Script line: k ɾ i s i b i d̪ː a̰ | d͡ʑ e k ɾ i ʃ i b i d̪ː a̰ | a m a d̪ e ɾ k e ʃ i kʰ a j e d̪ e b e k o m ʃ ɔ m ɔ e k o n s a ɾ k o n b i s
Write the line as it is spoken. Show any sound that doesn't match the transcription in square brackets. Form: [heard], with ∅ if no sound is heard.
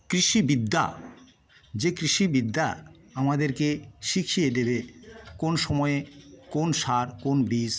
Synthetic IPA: k ɾ i [ʃ] i b i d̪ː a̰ | d͡ʑ e k ɾ i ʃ i b i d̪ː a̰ | a m a d̪ e ɾ k e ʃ i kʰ [i] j e d̪ e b e k o [n] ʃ ɔ m ɔ e k o n [ʃ] a ɾ k o n b i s